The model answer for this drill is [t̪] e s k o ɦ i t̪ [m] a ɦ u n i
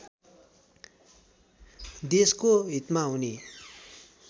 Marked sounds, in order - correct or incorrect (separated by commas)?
incorrect, correct